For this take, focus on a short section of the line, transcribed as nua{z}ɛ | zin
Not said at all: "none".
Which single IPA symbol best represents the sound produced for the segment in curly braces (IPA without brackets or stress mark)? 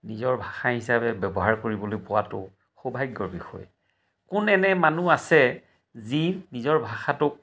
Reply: s